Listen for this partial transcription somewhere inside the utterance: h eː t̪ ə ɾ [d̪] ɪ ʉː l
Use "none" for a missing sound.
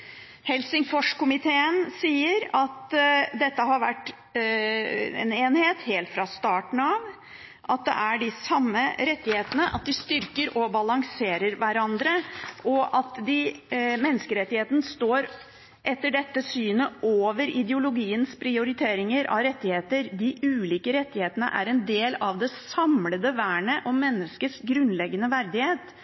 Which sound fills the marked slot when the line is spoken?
d̪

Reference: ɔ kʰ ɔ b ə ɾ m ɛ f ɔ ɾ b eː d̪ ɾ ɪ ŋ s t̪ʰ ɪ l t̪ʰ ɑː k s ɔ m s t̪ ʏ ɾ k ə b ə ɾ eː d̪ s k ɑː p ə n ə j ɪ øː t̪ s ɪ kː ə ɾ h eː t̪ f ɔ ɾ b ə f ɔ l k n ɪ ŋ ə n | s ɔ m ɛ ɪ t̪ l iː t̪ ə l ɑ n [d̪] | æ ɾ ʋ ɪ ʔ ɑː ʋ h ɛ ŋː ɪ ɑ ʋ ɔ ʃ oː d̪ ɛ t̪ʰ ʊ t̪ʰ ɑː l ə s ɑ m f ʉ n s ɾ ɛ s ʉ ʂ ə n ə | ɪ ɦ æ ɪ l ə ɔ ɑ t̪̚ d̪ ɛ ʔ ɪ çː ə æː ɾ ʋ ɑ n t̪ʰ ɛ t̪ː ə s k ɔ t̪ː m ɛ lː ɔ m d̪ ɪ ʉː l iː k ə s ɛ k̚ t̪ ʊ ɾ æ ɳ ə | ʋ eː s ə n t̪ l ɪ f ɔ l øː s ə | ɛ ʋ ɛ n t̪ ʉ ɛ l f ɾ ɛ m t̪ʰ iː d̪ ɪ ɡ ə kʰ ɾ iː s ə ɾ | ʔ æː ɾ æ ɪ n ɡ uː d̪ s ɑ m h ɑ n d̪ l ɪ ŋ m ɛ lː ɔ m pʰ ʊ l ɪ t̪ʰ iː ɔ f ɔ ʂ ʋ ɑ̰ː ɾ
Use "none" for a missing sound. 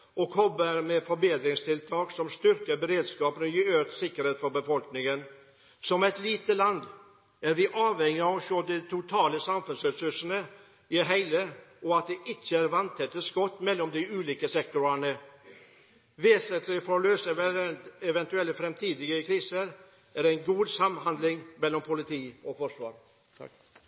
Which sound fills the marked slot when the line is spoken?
d̪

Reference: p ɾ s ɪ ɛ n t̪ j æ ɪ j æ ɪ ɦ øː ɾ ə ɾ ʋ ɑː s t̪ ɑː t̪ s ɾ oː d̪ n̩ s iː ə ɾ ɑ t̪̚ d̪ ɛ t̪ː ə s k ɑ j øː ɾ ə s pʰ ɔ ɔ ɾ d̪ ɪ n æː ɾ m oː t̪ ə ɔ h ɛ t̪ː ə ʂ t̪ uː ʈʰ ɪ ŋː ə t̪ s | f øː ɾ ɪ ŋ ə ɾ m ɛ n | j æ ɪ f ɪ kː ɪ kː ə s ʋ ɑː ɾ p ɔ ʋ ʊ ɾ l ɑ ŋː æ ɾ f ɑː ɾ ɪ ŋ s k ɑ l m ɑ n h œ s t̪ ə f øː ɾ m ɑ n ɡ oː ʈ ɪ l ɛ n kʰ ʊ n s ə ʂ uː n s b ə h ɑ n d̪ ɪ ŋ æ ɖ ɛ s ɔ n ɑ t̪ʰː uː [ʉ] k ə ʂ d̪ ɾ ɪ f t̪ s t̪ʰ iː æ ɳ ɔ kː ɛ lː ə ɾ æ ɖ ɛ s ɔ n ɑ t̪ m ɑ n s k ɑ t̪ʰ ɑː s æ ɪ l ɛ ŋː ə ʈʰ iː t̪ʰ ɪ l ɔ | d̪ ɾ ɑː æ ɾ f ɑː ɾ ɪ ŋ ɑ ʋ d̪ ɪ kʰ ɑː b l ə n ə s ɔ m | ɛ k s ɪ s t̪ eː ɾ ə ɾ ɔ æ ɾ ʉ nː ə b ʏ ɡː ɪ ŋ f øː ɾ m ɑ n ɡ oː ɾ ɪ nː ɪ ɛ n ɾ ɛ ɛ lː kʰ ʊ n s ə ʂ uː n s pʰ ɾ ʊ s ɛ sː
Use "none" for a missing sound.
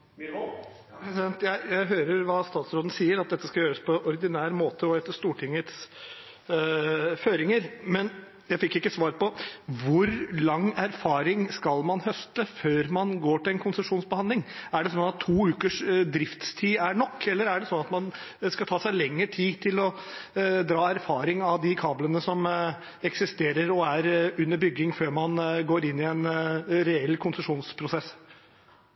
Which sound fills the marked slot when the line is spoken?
ʉː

